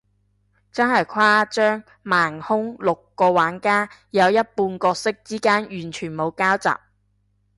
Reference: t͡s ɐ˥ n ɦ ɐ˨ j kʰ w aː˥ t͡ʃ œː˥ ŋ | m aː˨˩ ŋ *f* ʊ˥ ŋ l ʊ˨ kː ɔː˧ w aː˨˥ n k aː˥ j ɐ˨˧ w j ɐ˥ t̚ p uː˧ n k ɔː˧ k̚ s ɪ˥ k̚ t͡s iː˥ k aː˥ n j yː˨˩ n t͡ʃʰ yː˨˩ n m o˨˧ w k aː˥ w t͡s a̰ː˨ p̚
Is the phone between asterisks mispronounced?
yes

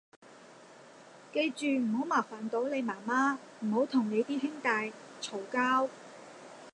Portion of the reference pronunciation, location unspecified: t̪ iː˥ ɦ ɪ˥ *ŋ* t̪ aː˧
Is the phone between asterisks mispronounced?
no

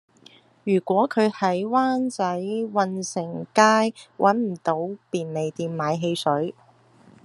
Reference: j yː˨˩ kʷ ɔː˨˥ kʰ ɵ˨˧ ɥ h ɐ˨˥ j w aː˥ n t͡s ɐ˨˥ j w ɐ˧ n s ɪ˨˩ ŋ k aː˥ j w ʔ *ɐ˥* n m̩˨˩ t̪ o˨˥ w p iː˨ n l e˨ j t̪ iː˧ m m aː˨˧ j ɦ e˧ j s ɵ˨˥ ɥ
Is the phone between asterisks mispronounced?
yes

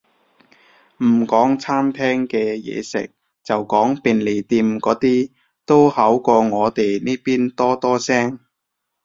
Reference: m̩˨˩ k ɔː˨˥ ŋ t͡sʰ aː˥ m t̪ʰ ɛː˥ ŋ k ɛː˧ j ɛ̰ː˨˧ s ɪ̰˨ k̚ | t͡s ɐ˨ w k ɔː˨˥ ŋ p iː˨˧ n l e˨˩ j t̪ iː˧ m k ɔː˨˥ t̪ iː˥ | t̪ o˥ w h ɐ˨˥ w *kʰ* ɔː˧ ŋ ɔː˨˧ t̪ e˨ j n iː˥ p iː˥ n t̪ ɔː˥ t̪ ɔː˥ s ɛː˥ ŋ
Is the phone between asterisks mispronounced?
yes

